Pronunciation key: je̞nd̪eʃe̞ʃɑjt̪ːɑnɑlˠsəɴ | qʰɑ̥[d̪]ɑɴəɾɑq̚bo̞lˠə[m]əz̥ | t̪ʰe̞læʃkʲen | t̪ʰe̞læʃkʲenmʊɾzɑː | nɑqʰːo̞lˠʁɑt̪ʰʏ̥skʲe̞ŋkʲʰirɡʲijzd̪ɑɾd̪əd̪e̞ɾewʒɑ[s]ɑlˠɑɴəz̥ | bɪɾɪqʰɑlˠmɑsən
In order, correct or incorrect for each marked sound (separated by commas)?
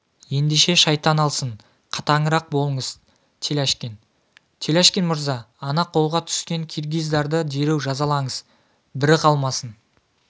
incorrect, incorrect, incorrect